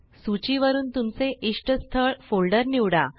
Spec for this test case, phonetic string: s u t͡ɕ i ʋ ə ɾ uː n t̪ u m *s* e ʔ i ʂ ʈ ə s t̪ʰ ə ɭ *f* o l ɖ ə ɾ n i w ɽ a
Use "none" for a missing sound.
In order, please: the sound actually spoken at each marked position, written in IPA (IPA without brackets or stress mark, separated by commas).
t͡s, f